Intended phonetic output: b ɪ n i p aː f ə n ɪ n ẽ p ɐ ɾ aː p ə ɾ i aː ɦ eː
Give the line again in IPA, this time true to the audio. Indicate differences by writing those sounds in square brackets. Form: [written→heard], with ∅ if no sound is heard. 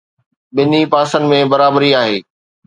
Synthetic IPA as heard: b ɪ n i p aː [f→s] ə n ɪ [n→m] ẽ [p→b] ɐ ɾ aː [p→b] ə ɾ i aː ɦ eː